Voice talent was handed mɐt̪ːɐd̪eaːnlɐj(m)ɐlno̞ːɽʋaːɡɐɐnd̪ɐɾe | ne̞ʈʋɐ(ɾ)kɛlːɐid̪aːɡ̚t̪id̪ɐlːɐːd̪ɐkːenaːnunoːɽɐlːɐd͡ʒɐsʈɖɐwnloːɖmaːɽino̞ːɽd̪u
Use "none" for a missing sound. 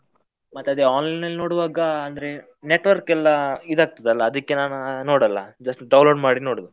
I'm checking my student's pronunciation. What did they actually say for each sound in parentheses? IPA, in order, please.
n, ɾ

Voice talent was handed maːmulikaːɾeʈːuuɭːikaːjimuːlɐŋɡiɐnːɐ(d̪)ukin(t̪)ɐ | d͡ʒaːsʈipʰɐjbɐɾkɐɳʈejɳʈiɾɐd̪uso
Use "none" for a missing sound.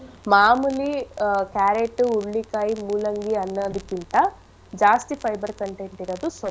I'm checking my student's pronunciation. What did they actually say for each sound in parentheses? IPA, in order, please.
d̪, t̪

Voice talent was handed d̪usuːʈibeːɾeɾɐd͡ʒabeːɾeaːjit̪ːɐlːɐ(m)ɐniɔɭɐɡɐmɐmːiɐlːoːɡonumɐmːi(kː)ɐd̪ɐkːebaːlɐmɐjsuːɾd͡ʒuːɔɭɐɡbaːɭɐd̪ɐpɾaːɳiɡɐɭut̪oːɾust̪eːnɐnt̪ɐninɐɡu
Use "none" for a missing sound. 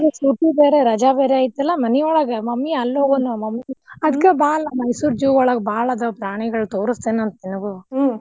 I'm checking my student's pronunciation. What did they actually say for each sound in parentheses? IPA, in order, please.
m, none

